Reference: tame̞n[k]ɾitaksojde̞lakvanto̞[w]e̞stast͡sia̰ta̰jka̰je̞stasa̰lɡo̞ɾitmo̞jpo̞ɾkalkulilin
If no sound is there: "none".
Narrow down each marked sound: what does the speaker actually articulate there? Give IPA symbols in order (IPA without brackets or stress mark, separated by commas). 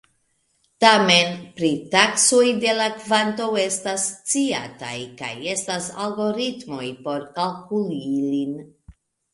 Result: p, w